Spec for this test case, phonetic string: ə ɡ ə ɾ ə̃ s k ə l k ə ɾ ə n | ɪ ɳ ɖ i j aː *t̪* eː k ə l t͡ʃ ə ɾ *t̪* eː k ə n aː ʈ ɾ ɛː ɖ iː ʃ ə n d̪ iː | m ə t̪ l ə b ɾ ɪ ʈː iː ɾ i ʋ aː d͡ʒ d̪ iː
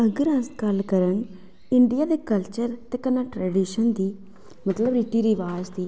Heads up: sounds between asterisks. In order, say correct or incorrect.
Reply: incorrect: d̪, correct

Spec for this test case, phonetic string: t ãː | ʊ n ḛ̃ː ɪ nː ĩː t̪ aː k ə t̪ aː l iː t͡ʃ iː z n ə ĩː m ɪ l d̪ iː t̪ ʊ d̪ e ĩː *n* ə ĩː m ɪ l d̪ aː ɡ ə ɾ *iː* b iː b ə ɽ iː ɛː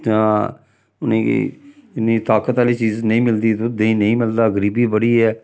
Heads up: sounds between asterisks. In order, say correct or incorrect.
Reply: correct, correct

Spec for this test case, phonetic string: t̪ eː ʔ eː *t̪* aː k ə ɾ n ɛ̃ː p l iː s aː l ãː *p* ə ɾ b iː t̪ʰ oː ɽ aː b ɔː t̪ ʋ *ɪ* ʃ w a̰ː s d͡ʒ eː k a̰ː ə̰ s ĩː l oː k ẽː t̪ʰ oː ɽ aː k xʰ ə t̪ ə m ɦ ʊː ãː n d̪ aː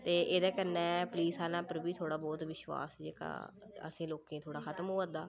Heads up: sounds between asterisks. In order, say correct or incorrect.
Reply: incorrect: d̪, correct, correct

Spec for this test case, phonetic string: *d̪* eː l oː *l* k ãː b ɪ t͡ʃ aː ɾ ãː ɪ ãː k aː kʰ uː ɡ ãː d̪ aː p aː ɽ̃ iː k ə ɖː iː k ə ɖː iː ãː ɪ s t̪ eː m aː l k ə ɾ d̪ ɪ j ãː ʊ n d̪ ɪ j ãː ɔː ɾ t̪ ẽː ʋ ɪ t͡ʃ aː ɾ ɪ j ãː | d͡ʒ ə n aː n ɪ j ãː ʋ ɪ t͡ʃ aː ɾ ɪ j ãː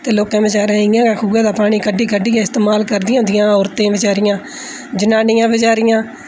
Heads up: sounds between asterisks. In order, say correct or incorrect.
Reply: incorrect: t̪, incorrect: none

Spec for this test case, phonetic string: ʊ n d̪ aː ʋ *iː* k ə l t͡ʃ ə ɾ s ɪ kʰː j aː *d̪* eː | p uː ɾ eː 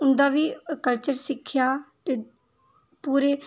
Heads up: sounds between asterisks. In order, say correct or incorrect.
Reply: correct, incorrect: t̪

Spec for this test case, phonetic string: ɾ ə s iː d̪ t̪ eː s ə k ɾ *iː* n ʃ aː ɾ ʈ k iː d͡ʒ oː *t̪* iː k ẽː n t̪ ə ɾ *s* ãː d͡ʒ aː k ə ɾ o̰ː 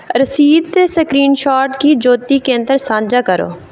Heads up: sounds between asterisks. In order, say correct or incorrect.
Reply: correct, correct, correct

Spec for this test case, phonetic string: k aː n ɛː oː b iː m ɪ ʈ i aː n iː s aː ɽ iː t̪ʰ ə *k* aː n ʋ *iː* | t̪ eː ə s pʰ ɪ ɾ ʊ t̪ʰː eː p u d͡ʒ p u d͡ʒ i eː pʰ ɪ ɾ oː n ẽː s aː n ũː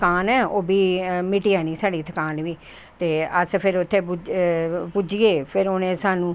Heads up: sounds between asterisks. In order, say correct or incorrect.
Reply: correct, correct

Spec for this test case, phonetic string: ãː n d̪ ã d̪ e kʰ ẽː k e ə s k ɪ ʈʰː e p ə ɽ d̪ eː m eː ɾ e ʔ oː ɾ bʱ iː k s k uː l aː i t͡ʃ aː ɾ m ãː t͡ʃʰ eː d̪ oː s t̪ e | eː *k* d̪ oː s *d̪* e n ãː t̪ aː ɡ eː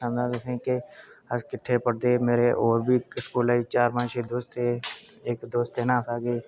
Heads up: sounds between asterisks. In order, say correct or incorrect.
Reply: correct, incorrect: t̪

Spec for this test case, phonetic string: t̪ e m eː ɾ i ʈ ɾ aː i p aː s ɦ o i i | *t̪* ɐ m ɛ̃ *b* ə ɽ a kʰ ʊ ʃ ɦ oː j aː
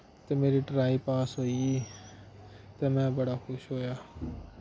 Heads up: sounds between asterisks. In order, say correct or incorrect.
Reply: correct, correct

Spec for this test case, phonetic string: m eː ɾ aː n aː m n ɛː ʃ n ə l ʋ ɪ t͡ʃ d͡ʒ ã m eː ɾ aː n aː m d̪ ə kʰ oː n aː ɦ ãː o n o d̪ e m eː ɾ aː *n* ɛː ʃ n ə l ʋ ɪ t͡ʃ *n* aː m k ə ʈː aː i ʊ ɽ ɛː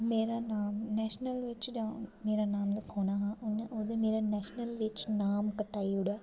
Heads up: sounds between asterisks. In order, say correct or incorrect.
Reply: correct, correct

